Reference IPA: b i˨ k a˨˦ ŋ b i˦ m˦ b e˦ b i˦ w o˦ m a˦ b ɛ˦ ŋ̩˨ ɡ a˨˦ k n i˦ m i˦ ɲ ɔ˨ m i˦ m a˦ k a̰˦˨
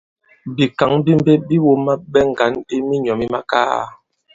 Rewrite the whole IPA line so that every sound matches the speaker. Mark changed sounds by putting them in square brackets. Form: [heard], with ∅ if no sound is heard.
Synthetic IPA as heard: b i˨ k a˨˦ ŋ b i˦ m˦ b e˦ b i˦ w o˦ m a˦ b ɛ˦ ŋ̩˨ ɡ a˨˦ [∅] n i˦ m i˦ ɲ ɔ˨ m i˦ m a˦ k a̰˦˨